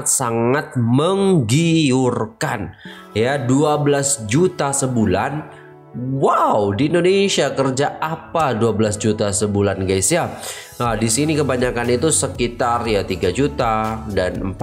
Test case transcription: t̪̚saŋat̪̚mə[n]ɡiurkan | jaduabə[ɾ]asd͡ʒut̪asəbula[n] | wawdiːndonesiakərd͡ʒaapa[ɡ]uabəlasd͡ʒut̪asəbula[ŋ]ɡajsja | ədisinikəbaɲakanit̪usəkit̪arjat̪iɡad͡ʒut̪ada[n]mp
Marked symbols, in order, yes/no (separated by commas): no, no, yes, no, no, yes